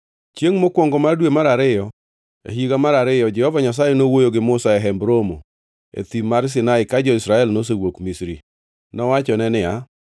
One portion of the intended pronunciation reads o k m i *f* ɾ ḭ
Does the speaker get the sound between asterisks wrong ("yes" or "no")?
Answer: yes